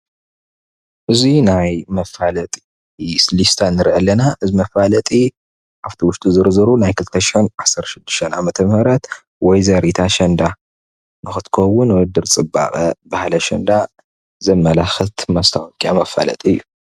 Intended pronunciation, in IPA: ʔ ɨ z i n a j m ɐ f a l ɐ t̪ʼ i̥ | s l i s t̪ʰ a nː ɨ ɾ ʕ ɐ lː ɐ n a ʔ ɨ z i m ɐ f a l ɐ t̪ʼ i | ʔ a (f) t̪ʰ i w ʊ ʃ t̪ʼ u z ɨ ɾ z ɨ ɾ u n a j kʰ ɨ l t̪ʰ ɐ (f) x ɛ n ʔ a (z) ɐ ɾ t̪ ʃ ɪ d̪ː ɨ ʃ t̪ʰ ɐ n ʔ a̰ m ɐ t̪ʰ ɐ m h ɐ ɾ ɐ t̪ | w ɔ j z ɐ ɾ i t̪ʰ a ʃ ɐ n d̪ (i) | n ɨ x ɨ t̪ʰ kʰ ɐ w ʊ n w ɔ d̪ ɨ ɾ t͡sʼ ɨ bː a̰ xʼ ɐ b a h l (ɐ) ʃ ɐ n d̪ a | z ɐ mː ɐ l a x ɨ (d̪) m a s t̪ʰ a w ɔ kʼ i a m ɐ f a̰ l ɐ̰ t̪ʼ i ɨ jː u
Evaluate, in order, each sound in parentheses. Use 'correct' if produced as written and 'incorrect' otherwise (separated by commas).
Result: correct, incorrect, incorrect, incorrect, correct, incorrect